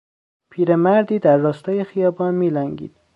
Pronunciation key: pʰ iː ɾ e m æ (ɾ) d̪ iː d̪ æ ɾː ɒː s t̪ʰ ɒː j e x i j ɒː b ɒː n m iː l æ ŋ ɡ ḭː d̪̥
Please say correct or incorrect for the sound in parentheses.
correct